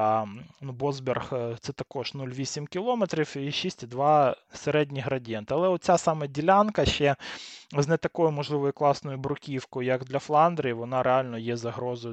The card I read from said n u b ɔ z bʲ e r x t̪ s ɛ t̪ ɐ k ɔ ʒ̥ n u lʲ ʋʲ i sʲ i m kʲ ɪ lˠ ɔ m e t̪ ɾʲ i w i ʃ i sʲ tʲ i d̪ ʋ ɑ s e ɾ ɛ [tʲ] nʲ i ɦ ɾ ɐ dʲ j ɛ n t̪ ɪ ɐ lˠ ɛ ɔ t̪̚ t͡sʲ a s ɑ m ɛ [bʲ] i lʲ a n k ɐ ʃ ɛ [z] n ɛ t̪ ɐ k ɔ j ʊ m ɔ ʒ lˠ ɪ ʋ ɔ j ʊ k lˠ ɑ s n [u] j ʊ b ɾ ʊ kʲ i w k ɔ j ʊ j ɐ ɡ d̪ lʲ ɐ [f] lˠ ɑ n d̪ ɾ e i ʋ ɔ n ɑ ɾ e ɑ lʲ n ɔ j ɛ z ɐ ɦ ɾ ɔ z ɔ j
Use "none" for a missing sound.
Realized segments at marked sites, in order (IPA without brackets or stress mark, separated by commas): dʲ, dʲ, z, ɔ, f